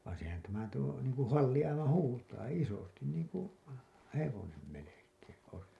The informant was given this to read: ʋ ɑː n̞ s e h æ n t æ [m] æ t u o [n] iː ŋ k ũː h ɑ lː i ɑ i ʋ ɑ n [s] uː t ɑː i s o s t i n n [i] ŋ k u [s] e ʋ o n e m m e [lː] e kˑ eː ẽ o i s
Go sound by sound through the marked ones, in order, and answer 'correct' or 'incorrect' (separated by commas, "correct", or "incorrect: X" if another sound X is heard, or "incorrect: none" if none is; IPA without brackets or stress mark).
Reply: correct, correct, incorrect: h, incorrect: iː, incorrect: h, incorrect: l